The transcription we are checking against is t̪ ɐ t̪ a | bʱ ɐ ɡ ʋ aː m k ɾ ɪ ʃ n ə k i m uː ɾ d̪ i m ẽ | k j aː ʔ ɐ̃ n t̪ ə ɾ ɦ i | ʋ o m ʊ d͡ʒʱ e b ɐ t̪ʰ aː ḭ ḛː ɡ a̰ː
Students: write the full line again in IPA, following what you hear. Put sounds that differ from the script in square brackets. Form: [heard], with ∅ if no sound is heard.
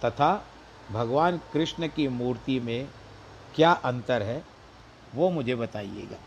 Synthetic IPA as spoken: t̪ ɐ [t̪ʰ] a | bʱ ɐ ɡ ʋ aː [n] k ɾ ɪ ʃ n ə k i m uː ɾ [t̪] i m ẽ | k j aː ʔ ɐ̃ n t̪ ə ɾ ɦ [ɛ] | ʋ o m ʊ d͡ʒʱ e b ɐ [t̪] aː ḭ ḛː ɡ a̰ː